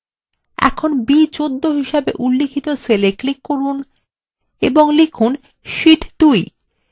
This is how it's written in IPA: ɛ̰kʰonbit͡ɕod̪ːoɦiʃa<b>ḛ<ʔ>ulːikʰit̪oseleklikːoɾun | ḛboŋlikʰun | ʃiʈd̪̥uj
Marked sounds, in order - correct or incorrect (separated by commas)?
correct, correct